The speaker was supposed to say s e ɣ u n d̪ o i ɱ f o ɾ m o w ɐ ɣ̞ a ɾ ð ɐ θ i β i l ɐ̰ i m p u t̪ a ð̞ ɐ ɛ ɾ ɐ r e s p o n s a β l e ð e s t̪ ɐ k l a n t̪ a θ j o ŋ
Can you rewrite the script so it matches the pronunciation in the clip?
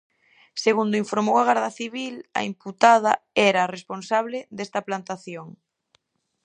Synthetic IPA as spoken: s e ɣ u n d̪ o i ɱ f o ɾ m o w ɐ ɣ̞ a ɾ ð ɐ θ i β i l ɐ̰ i m p u t̪ a ð̞ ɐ ɛ ɾ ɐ r e s p o n s a β l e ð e s t̪ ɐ p l a n t̪ a θ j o ŋ